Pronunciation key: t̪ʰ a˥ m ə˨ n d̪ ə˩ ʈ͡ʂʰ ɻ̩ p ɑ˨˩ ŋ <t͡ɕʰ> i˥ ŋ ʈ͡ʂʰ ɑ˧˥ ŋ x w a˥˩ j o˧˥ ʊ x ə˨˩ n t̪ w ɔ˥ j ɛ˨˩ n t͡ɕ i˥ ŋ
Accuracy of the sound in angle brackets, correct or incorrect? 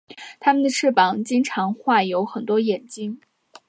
incorrect